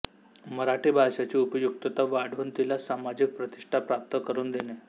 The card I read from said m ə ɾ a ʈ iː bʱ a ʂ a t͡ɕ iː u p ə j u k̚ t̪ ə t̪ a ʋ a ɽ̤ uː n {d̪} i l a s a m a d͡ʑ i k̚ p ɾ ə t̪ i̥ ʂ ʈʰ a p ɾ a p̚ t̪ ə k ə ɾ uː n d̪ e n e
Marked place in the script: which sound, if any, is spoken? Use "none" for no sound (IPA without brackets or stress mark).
t̪